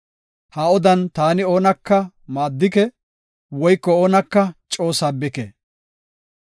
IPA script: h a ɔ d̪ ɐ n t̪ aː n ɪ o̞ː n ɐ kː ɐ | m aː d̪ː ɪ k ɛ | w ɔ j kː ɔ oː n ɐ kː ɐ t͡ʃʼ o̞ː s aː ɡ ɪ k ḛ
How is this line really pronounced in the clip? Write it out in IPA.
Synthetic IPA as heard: h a ɔ d̪ ɐ n t̪ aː n ɪ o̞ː n ɐ kː ɐ | m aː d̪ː ɪ k ɛ | w ɔ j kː ɔ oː n ɐ kː ɐ t͡ʃʼ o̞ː s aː b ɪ k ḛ